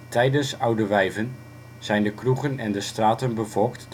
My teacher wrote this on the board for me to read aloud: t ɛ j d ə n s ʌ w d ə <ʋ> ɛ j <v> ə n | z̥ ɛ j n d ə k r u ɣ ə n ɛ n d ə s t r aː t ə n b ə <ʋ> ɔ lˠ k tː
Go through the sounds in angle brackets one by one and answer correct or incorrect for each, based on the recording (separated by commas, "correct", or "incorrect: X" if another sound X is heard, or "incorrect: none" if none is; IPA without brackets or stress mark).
correct, correct, incorrect: v